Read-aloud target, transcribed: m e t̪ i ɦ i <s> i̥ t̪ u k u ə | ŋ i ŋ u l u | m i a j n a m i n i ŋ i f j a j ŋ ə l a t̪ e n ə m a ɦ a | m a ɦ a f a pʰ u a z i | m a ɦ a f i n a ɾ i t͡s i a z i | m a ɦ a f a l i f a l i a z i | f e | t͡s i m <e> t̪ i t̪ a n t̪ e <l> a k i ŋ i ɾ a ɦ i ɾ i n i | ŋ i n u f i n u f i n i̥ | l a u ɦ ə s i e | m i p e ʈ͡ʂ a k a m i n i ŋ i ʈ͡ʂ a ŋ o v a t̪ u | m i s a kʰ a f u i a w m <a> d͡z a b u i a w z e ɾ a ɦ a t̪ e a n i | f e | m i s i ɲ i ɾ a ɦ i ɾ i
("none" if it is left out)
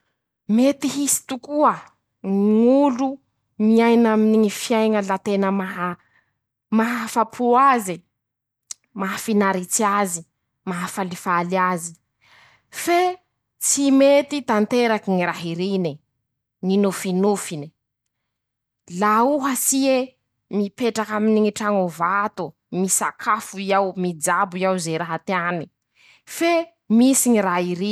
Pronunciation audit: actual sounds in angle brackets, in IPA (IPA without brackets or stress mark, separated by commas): s, e, ɾ, i